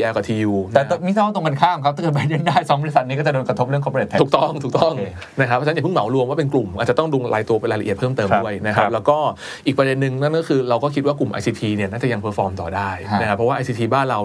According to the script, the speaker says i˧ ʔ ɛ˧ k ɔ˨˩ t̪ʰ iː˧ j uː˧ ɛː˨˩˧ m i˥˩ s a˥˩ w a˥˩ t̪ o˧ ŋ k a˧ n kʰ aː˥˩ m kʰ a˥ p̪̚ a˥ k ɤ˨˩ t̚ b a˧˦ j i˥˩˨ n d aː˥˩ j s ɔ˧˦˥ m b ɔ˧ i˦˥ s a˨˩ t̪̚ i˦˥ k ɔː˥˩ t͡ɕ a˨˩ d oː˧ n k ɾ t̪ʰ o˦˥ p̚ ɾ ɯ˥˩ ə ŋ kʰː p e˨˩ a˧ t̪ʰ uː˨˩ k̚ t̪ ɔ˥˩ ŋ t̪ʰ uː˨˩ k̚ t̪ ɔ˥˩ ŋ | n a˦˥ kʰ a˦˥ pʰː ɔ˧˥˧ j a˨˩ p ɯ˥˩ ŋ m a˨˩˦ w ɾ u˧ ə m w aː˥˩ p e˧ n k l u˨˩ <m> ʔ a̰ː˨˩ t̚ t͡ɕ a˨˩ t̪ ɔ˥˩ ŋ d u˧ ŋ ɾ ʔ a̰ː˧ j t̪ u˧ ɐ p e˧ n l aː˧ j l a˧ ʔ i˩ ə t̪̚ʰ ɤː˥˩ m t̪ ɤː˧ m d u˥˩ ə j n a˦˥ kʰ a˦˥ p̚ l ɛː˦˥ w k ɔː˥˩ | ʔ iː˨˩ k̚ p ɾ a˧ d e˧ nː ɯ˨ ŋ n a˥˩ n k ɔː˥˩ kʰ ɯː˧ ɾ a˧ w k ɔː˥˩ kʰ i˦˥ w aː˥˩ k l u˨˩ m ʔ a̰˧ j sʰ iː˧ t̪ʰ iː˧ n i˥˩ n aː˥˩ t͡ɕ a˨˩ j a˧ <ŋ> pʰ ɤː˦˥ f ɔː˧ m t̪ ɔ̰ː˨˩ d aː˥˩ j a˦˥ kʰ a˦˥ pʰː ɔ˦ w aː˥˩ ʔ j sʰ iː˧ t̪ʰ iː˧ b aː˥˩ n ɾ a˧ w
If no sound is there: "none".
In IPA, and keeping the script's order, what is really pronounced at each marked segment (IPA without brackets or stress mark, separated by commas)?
m, ŋ